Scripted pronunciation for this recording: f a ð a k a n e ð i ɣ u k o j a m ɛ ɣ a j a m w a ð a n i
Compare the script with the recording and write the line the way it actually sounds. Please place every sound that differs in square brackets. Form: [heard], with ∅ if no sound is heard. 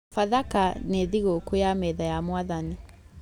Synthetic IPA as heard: f a ð a k a n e ð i ɣ [o] k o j a m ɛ [ð] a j a m w a ð a n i

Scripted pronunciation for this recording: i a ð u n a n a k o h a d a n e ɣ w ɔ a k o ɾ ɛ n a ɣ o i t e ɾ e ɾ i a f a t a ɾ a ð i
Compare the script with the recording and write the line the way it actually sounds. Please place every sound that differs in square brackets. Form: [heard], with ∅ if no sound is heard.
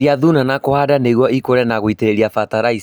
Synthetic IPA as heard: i a ð u n a n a k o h a d a n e ɣ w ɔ [i] k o ɾ ɛ n a ɣ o i t e ɾ e ɾ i a f a t a ɾ a [∅] i

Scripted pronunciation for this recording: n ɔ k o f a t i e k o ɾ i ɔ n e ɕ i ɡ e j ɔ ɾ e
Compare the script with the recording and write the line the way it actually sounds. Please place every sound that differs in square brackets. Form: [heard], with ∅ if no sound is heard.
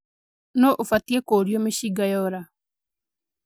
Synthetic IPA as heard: n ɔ [ʔ] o f a t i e k o ɾ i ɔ [m] e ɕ i ɡ [a] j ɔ ɾ [a]

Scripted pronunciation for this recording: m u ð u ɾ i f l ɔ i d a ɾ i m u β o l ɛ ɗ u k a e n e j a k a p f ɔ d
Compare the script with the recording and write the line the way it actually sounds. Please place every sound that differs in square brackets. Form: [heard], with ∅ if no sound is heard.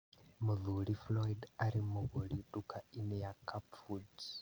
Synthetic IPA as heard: m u ð u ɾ i f l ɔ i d a ɾ i m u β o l [i] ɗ u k a [i] n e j a k a p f [u] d

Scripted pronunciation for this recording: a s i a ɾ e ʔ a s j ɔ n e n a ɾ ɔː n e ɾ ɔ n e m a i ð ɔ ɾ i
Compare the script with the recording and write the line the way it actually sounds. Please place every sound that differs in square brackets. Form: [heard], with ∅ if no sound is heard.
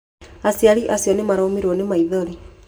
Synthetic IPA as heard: a s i a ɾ [i] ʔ a s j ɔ n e [m] a ɾ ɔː [m] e ɾ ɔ n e m a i ð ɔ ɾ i

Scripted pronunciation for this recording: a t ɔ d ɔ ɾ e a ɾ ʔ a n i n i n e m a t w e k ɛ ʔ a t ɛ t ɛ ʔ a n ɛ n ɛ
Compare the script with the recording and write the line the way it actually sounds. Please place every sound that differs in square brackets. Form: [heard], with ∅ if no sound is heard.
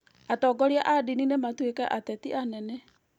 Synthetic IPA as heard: a t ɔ [ɡ] ɔ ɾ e a [∅] ʔ a [d] i n i n e m a t w e k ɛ ʔ a t ɛ t [i] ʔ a n ɛ n ɛ

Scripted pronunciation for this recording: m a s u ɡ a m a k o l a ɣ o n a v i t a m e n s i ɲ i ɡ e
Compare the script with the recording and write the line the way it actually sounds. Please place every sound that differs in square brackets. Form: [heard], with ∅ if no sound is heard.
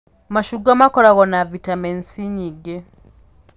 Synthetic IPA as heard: m a [ʃ] u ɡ a m a k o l a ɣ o n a v i t a m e n s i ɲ i ɡ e

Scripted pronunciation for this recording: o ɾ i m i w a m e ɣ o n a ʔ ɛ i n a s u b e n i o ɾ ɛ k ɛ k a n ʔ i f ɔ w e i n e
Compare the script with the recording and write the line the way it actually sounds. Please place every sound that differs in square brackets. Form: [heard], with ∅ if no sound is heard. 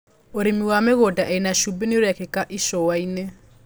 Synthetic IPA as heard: o ɾ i m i w a m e ɣ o [d] a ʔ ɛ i n a [ʃ] u b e n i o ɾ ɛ k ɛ k a [∅] ʔ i [ʃ] ɔ w [a] i n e

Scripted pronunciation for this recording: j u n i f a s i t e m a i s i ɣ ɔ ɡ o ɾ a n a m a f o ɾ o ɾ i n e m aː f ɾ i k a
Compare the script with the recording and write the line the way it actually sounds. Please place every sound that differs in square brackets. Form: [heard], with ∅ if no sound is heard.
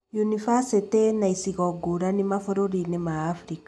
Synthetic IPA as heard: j u n i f a s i t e [n] a i s i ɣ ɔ ɡ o ɾ a n [i] m a f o ɾ o ɾ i n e m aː f ɾ i k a

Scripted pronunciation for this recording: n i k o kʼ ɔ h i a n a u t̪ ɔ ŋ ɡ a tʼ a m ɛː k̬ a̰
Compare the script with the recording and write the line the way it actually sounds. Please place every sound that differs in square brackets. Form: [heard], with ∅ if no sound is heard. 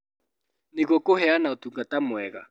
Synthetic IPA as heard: n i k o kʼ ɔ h [ɛ] a n a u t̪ [u] ŋ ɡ a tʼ a m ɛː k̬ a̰

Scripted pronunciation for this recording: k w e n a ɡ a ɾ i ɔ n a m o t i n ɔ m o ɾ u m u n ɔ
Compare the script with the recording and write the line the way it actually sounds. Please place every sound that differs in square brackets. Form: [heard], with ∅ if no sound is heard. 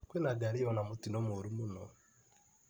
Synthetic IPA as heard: k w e n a ɡ a ɾ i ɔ n a m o t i n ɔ m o ɾ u m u n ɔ

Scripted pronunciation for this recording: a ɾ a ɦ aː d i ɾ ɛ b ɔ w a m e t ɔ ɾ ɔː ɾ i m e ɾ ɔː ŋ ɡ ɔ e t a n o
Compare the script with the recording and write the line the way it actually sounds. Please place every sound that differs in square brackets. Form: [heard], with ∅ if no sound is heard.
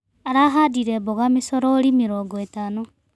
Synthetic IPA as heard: a ɾ a ɦ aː d i ɾ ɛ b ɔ [ɣ] a m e [s] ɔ ɾ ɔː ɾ i m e ɾ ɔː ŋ ɡ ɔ e t a n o

